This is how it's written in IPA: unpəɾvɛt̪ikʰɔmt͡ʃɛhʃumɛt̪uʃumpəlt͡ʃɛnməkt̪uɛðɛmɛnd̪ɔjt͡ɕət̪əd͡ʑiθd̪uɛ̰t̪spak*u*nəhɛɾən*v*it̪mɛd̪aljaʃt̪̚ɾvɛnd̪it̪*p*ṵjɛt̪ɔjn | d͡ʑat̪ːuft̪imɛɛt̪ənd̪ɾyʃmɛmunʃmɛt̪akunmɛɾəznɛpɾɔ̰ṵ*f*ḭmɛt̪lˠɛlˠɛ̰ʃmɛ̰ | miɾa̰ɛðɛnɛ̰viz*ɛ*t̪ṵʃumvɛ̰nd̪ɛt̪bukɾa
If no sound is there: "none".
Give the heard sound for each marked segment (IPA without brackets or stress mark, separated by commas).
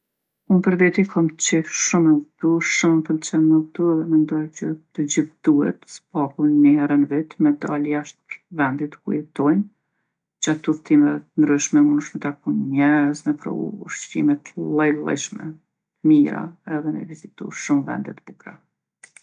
u, v, k, ʃ, i